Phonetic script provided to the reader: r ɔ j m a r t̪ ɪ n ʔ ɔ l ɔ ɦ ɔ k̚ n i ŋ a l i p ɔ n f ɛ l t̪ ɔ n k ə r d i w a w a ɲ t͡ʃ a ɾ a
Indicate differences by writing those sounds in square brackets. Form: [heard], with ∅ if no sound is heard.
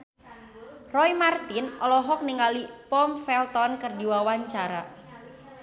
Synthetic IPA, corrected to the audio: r ɔ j m a r t̪ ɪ n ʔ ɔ l ɔ ɦ ɔ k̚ n i ŋ a l i p ɔ [m] f ɛ l t̪ ɔ n k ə r d i w a w a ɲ t͡ʃ a ɾ a